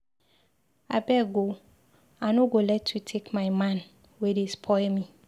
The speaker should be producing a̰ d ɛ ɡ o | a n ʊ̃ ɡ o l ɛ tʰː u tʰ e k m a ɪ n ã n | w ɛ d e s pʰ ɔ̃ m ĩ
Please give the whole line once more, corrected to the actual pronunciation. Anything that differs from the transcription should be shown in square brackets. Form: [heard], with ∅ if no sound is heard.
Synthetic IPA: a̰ [b] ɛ ɡ o | a n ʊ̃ ɡ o l ɛ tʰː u tʰ e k m a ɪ [m] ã n | w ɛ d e s pʰ [ɔ] m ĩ